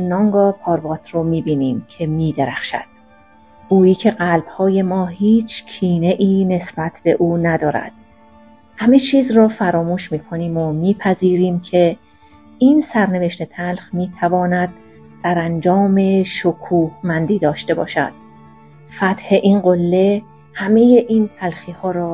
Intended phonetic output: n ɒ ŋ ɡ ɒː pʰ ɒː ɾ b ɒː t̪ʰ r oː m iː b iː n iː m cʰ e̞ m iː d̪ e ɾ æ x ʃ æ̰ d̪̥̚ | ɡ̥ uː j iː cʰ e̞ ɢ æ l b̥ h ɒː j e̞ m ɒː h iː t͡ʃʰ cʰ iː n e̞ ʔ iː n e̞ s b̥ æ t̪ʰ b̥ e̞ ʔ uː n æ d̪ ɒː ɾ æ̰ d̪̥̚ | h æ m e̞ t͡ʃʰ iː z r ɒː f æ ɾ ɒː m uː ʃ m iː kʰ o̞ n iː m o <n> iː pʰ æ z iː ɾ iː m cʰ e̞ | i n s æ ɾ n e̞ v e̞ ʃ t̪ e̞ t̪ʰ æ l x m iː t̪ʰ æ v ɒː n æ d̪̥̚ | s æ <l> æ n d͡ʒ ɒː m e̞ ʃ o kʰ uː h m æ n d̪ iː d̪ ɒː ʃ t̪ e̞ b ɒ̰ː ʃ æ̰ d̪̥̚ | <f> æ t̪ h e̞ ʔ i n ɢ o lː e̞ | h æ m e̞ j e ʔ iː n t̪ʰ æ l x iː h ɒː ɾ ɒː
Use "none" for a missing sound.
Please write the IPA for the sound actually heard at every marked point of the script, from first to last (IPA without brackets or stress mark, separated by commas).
m, ɾ, f